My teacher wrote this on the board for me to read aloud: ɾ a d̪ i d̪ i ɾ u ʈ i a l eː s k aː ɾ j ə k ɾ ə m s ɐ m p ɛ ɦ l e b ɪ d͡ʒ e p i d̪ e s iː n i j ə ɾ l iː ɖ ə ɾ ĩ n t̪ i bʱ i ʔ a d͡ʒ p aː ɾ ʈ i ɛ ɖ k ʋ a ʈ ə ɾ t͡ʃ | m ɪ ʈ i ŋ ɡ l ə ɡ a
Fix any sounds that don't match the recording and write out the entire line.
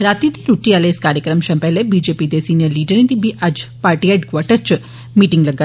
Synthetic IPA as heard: ɾ a t̪ i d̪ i ɾ u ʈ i a l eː s k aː ɾ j ə k ɾ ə m ʃ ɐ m p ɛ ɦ l e b i d͡ʒ e p i d̪ e s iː n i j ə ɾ l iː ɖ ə ɾ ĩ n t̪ i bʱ i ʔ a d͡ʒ p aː ɾ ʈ i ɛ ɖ k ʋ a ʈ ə ɾ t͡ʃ | m i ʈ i ŋ ɡ l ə ɡ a